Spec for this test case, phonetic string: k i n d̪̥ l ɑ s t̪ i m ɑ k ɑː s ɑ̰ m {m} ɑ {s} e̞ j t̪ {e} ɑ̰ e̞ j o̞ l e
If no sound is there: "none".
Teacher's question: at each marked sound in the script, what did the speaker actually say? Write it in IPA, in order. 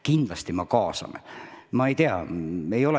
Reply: m, none, e

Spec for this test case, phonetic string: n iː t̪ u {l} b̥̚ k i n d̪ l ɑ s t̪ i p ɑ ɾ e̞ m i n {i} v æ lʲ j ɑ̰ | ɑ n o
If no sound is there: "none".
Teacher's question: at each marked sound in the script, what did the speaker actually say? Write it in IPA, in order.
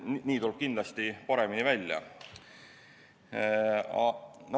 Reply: l, i

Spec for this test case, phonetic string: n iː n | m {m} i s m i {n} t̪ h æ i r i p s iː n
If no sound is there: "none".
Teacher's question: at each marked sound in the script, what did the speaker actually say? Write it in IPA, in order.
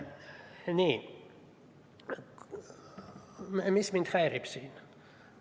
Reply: m, n

